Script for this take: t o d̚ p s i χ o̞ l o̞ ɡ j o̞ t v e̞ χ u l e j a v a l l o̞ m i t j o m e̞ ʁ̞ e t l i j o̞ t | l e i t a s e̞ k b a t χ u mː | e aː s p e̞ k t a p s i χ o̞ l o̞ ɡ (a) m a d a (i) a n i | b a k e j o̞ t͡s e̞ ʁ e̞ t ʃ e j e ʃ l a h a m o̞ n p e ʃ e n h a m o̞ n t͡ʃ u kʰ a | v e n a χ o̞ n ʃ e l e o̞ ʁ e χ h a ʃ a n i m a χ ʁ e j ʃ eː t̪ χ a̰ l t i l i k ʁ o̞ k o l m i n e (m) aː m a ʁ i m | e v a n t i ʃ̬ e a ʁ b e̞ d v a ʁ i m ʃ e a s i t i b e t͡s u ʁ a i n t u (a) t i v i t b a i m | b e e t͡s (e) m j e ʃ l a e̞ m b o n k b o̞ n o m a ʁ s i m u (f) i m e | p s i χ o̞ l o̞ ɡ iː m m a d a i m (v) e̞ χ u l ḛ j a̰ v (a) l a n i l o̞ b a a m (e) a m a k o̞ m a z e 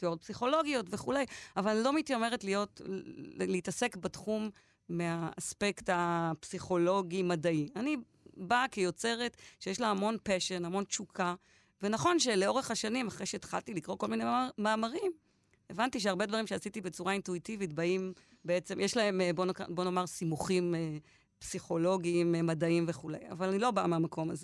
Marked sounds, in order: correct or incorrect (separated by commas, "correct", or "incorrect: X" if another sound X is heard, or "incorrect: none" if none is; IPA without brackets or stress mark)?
incorrect: i, correct, correct, incorrect: i, correct, incorrect: χ, correct, correct, correct